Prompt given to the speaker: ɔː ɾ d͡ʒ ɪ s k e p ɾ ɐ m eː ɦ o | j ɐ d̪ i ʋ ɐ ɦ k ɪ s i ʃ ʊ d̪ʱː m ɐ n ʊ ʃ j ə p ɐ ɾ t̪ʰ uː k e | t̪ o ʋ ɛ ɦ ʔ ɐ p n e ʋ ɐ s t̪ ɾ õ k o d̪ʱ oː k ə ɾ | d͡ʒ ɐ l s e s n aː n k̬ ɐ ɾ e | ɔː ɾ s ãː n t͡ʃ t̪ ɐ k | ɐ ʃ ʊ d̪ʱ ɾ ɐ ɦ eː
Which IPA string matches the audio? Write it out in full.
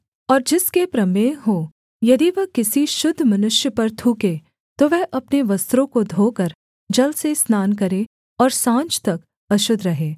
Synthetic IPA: ɔː ɾ d͡ʒ ɪ s k e p ɾ ɐ m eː ɦ o | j ɐ d̪ i ʋ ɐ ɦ k ɪ s i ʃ ʊ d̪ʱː m ɐ n ʊ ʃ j ə p ɐ ɾ t̪ʰ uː k e | t̪ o ʋ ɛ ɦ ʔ ɐ p n e ʋ ɐ s t̪ ɾ õ k o d̪ʱ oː k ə ɾ | d͡ʒ ɐ l s e s n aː n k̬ ɐ ɾ e | ɔː ɾ s ãː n t͡ʃ t̪ ɐ k | ɐ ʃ ʊ d̪ʱ ɾ ɐ ɦ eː